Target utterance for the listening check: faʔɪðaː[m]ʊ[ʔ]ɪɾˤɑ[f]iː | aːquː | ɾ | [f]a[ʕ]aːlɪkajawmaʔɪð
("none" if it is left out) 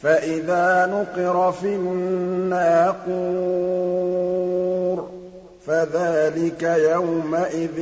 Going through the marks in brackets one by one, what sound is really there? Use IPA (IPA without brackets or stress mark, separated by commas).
n, q, f, f, ð